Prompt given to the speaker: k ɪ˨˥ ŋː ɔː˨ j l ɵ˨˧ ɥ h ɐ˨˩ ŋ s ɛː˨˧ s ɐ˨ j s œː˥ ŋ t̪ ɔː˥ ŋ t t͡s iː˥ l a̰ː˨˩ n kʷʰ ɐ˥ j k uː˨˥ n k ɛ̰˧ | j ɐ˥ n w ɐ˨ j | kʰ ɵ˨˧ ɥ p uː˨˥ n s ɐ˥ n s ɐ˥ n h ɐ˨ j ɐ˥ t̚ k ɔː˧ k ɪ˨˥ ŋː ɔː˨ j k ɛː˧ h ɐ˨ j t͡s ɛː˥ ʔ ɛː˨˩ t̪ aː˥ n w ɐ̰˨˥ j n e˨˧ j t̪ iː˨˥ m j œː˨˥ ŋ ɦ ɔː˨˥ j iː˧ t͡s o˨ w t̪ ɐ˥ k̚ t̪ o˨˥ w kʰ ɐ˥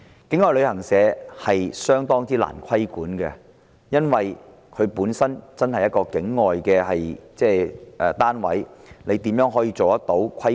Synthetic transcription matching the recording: k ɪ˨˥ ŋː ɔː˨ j l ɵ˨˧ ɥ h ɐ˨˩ ŋ s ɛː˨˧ h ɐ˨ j s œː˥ ŋ t̪ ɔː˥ ŋ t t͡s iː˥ l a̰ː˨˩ n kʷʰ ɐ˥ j k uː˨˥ n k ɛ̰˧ | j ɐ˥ n w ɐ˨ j | kʰ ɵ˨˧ ɥ p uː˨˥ n s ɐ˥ n t͡s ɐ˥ n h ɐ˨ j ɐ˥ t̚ k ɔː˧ k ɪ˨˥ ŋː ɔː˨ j k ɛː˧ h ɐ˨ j t͡s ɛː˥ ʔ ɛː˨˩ t̪ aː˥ n w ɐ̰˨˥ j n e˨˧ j t̪ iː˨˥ m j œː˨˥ ŋ ɦ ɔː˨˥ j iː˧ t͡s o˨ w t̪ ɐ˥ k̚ t̪ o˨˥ w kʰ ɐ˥